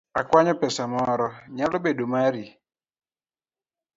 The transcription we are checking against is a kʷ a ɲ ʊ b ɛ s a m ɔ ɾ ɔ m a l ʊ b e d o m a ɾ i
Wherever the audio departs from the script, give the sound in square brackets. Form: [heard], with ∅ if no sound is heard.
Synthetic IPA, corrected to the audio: a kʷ a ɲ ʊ [p] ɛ s a m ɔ ɾ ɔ [ɲ] a l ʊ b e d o m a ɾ i